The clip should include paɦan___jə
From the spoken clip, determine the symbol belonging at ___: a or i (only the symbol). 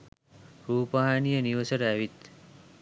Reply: i